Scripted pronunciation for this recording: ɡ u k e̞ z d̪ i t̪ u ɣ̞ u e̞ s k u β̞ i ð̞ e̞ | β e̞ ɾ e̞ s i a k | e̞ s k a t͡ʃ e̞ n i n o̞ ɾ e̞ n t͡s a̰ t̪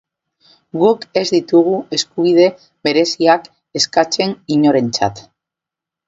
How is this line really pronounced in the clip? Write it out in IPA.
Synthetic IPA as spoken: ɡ u k e̞ z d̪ i t̪ u ɣ̞ u e̞ s k u β̞ i ð̞ e̞ | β e̞ ɾ e̞ s i a k | e̞ s k a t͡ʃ e̞ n i ɲ o̞ ɾ e̞ n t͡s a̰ t̪